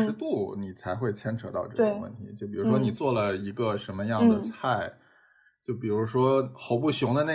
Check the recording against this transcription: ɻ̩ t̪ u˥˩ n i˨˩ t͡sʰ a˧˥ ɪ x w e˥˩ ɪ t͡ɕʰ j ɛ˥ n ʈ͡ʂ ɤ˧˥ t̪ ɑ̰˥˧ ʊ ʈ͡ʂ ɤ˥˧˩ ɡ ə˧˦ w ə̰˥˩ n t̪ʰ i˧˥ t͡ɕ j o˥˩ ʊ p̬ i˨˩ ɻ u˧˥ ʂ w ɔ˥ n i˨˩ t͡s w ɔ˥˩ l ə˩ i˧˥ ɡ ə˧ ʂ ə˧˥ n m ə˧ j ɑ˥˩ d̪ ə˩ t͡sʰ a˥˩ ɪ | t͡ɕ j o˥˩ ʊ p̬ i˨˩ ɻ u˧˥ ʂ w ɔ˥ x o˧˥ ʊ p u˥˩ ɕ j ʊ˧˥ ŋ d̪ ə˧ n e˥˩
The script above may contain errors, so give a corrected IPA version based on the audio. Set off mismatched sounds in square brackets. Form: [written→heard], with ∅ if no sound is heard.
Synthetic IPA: ɻ̩ t̪ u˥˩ n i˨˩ t͡sʰ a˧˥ ɪ x w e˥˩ ɪ t͡ɕʰ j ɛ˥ n [ʈ͡ʂ→ʈ͡ʂʰ] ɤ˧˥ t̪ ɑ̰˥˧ ʊ ʈ͡ʂ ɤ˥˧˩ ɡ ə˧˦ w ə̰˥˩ n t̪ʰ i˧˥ t͡ɕ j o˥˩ ʊ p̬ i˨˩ ɻ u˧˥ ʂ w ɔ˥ n i˨˩ t͡s w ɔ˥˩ l ə˩ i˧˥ ɡ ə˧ ʂ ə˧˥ n m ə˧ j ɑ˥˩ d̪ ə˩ t͡sʰ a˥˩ ɪ | t͡ɕ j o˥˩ ʊ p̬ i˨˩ ɻ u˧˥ ʂ w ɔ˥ x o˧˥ ʊ p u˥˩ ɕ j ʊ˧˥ ŋ d̪ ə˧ n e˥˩